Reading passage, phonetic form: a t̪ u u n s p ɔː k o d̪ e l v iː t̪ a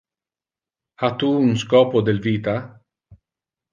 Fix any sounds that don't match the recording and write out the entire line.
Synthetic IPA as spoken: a t̪ u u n s k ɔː p o d̪ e l v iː t̪ a